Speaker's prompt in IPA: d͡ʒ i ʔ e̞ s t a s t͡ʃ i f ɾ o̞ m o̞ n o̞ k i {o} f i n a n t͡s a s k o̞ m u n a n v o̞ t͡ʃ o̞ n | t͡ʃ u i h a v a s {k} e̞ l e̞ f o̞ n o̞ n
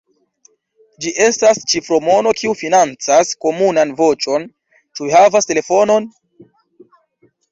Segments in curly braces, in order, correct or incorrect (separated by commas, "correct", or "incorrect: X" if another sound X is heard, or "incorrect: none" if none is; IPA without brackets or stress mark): incorrect: u, incorrect: t